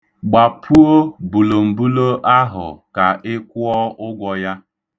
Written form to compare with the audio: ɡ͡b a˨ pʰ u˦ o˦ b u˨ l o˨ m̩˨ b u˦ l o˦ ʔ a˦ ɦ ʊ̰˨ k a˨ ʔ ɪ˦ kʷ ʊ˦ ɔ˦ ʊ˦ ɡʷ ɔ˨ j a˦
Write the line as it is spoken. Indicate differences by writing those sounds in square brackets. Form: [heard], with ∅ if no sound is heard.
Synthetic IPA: ɡ͡b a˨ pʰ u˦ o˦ b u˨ l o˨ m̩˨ b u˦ l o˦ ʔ a˦ ɦ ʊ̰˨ k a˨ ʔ ɪ˦ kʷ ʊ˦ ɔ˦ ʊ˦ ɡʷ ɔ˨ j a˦